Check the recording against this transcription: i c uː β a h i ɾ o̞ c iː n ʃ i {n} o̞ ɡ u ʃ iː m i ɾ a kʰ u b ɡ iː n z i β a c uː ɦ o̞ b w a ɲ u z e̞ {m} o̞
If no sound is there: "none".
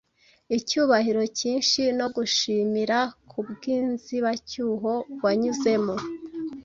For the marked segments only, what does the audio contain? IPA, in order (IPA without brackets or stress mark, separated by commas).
n, m